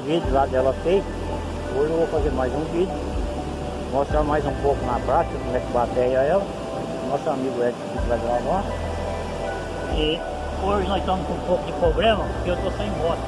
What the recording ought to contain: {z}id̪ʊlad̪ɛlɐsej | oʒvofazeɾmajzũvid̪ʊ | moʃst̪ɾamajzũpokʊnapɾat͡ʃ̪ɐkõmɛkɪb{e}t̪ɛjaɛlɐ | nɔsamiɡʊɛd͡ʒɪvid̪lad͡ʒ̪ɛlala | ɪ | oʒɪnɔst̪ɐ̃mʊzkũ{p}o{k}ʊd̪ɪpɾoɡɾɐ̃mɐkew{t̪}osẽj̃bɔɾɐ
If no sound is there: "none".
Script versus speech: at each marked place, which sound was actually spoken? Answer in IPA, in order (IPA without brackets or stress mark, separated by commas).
v, a, p, k, t̪